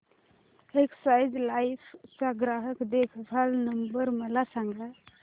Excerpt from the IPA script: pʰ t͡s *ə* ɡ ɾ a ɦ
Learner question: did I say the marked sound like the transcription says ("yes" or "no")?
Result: no